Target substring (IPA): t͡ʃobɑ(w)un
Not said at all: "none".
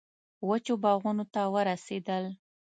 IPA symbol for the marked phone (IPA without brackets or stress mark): ɣ